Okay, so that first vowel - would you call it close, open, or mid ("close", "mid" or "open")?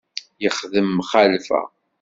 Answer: mid